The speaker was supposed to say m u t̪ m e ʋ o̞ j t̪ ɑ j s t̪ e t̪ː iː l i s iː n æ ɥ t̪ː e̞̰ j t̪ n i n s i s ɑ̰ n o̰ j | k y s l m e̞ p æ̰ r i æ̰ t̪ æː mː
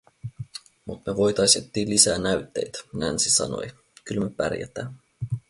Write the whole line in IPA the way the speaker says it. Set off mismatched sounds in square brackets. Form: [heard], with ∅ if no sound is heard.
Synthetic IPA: m u t̪ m e ʋ o̞ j t̪ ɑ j s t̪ e t̪ː iː l i s [æː] n æ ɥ t̪ː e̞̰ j t̪ n [æ] n s i s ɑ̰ n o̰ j | k y [∅] l m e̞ p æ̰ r [j] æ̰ t̪ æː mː